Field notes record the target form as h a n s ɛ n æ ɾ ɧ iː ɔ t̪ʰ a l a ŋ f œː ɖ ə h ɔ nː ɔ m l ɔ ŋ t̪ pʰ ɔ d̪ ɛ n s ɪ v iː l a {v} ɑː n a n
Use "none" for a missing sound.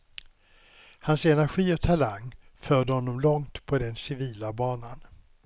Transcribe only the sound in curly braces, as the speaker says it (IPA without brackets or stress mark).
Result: b